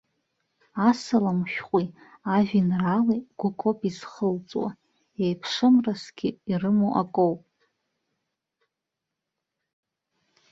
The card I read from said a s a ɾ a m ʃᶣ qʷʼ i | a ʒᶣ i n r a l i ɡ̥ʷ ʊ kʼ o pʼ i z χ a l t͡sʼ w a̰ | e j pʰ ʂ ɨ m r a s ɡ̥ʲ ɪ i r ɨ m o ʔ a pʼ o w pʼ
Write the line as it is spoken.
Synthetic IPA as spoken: a s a l a m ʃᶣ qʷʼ i | a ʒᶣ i n r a l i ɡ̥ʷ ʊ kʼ o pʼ i z χ ə l t͡sʼ w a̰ | e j pʰ ʂ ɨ m r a s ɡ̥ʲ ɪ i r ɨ m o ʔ a kʼ o w pʼ